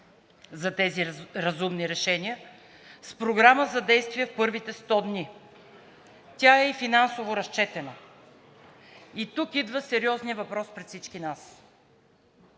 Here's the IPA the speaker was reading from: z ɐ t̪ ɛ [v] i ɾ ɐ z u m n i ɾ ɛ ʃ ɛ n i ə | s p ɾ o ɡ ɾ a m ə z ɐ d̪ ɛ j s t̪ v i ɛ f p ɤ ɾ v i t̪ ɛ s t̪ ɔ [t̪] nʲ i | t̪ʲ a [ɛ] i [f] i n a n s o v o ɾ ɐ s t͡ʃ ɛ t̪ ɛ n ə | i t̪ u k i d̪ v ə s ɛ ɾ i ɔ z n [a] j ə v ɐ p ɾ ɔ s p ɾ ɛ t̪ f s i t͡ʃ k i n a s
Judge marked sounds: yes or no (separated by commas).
no, no, yes, yes, no